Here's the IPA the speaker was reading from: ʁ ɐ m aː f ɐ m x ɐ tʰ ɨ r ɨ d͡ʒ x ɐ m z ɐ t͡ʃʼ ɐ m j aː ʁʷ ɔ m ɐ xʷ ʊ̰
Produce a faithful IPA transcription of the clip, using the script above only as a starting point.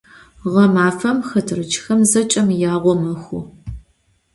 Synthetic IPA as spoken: ʁ ɐ m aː f ɐ m x ɐ tʰ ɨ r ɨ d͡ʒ x ɐ m z ɐ t͡ʃʼ ɐ m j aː ʁʷ ɔ m ɐ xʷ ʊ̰